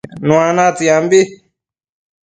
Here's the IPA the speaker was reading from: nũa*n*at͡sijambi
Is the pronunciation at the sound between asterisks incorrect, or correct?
correct